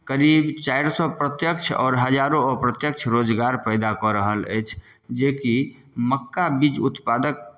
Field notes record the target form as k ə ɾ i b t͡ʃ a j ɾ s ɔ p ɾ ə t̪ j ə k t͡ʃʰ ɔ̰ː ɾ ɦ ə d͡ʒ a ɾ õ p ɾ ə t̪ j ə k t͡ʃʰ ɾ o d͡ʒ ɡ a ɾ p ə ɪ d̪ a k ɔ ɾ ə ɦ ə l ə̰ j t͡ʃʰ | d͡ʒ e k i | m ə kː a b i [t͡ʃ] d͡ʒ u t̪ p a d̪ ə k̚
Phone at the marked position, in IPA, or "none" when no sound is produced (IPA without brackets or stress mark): none